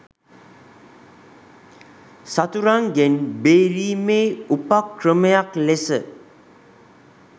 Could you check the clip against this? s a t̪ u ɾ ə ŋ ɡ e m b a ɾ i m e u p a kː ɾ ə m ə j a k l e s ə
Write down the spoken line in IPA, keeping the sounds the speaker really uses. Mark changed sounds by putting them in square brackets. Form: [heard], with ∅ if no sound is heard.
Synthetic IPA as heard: s a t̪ u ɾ [a] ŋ ɡ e [n] b [e] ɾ i m e u p a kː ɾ ə m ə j a k l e s ə